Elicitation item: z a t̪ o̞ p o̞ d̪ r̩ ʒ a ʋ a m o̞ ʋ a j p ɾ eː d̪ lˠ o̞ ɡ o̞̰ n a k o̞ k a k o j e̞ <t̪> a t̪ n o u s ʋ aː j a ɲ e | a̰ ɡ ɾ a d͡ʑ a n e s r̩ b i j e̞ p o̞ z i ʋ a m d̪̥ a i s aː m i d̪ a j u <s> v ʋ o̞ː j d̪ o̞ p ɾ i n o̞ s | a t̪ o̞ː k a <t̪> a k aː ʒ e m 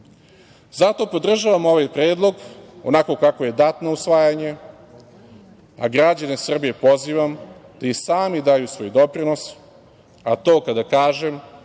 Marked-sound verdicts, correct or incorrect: incorrect: d̪, correct, incorrect: d̪

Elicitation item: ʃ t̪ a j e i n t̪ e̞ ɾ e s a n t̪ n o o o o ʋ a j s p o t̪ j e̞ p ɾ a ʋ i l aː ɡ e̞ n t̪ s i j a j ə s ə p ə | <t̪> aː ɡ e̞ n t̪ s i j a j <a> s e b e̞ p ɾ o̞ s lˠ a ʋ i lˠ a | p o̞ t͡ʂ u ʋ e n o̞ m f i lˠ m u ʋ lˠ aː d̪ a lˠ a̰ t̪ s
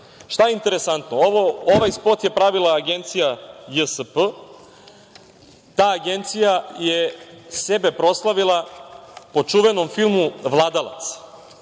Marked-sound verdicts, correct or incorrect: correct, incorrect: e

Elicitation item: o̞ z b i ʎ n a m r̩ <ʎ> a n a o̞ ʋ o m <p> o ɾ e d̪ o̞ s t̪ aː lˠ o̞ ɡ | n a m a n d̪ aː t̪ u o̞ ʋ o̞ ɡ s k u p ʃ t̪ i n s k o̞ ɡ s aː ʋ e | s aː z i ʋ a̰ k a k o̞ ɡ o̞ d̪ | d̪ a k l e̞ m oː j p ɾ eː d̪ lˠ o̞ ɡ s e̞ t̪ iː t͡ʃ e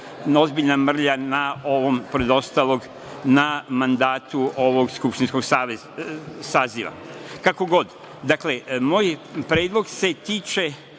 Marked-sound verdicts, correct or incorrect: correct, correct

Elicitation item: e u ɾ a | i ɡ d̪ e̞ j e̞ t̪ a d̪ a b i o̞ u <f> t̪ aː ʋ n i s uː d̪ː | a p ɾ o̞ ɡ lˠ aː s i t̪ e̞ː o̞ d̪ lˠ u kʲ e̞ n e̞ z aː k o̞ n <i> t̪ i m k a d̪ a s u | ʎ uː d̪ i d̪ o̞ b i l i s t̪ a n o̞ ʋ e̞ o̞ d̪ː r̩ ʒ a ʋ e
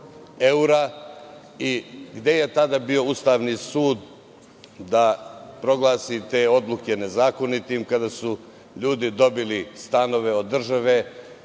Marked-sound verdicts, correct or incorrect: incorrect: s, correct

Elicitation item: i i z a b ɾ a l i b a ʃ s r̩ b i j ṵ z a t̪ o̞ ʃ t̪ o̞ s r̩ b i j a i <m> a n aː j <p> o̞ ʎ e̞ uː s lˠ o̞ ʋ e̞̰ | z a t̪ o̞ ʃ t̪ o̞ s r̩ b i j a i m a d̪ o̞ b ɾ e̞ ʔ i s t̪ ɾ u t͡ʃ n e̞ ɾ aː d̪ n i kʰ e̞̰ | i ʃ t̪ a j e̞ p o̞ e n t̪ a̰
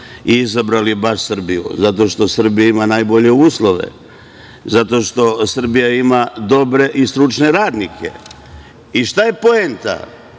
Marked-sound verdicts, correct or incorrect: correct, incorrect: b

